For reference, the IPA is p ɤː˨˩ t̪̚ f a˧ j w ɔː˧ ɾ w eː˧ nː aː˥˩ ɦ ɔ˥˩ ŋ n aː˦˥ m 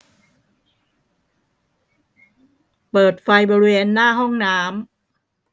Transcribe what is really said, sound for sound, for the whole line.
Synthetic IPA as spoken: p ɤː˨˩ t̪̚ f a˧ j b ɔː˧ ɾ w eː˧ nː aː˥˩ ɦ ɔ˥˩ ŋ n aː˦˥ m